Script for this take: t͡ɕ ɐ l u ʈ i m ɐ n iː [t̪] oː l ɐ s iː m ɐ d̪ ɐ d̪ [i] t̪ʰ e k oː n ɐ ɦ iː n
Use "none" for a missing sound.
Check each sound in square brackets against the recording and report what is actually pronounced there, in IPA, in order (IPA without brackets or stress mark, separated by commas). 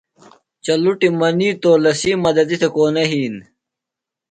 t̪, i